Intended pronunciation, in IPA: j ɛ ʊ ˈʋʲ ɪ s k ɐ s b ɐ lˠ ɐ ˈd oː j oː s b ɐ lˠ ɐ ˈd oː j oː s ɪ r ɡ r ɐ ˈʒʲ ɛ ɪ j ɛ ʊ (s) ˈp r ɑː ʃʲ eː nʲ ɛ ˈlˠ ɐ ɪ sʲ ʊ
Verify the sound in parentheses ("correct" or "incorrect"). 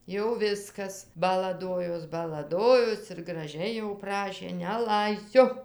incorrect